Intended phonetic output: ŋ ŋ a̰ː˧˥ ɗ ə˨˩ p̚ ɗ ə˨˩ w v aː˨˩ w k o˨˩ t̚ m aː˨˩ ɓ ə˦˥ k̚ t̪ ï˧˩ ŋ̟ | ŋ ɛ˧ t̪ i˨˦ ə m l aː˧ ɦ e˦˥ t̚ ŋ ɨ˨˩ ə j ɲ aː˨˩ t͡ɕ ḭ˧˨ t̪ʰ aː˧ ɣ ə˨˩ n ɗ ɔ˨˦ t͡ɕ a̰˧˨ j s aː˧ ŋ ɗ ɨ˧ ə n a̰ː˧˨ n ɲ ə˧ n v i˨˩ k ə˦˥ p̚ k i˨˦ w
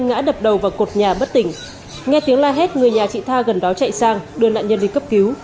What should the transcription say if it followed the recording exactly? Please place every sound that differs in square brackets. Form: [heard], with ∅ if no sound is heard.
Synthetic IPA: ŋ ŋ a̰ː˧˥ ɗ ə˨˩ p̚ ɗ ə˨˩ w v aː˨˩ w k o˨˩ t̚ [ɲ] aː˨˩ ɓ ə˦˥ [t̚] t̪ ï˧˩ ŋ̟ | ŋ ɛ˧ t̪ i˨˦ ə [ŋ] l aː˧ ɦ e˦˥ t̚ ŋ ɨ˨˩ ə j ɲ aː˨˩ t͡ɕ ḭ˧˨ t̪ʰ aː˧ ɣ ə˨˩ n ɗ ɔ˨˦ t͡ɕ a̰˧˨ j s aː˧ ŋ ɗ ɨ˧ ə n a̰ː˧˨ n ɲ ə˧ n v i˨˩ k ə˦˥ p̚ k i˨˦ w